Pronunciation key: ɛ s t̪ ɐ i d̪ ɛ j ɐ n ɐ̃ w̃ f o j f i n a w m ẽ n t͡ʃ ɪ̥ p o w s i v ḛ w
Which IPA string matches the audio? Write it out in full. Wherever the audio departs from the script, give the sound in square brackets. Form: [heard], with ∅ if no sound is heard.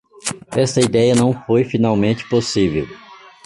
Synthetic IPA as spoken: ɛ s t̪ ɐ i d̪ ɛ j ɐ n ɐ̃ w̃ f o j f i n a w m ẽ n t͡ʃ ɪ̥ p o [∅] s i v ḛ w

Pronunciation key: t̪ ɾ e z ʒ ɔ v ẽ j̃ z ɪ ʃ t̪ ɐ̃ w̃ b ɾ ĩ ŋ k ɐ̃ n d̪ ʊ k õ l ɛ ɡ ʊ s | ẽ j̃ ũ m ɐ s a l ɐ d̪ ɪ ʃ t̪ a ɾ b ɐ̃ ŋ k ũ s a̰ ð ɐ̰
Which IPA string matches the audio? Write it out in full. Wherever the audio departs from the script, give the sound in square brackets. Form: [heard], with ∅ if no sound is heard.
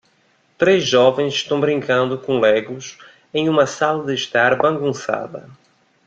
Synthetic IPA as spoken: t̪ ɾ e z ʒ ɔ v ẽ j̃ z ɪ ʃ t̪ ɐ̃ w̃ b ɾ ĩ ŋ k ɐ̃ n d̪ ʊ k õ l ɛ ɡ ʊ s | ẽ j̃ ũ m ɐ s a l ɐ d̪ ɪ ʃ t̪ a ɾ b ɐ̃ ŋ [ɡ] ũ s a̰ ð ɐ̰

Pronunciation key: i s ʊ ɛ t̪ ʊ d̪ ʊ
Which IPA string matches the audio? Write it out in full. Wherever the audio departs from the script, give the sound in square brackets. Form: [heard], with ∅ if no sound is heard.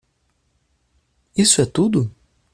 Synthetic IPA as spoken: i s ʊ ɛ t̪ [u] d̪ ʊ

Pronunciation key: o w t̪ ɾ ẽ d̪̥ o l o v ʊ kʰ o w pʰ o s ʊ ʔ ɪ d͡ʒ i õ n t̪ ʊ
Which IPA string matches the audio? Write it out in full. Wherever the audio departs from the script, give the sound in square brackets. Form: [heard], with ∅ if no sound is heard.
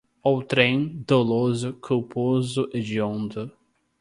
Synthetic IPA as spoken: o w t̪ ɾ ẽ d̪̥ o l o [z] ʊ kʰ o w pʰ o [z] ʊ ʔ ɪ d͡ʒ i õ n [d̪] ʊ

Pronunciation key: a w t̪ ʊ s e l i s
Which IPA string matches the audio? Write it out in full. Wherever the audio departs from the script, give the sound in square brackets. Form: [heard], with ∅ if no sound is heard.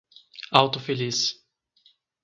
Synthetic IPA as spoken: a w t̪ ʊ [f] e l i s

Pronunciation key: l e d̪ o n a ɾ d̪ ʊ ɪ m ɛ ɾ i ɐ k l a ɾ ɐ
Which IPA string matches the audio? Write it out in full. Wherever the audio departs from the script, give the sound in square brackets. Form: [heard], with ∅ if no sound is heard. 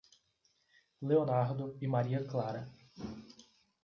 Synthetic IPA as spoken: l e [∅] o n a ɾ d̪ ʊ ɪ m [a] ɾ i ɐ k l a ɾ ɐ

